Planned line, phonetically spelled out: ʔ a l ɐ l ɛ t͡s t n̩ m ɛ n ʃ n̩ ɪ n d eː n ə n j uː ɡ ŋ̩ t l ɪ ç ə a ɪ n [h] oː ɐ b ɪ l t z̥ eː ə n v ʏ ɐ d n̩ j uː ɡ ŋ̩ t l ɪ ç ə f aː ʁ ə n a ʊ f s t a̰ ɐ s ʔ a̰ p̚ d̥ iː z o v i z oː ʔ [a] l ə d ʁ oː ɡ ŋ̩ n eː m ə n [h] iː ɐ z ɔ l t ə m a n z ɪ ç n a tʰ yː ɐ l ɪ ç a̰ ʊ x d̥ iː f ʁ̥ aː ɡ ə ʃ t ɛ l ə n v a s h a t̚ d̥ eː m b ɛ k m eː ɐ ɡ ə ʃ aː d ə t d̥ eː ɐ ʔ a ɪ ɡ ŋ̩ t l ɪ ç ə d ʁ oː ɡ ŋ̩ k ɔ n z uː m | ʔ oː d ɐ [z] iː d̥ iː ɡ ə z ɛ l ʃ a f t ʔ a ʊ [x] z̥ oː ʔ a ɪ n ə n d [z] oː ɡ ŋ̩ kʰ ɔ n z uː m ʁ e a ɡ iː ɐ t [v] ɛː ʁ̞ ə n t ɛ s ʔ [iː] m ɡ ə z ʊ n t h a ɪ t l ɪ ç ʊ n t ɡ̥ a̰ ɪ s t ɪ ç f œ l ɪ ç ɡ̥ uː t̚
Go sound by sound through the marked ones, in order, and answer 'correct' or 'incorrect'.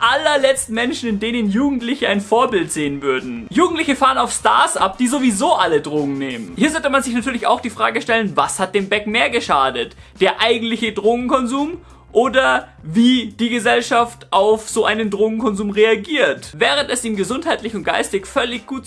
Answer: incorrect, correct, correct, incorrect, incorrect, incorrect, correct, correct

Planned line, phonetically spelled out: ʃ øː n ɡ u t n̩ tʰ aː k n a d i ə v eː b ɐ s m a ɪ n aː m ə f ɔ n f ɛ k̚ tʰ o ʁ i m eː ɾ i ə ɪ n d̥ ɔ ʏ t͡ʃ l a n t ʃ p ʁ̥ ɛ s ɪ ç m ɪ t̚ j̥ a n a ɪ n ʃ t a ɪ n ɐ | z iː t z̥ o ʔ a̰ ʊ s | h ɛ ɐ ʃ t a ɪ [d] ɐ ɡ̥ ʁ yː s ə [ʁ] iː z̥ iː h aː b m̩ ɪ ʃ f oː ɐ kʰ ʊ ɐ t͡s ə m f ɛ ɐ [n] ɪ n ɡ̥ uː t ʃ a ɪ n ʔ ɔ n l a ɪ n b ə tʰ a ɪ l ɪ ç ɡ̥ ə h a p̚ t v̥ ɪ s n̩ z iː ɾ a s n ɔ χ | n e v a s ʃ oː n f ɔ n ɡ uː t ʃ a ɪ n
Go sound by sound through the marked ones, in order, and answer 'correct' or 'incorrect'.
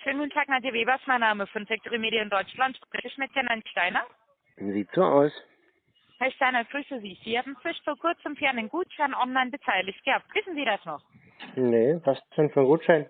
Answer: incorrect, incorrect, correct

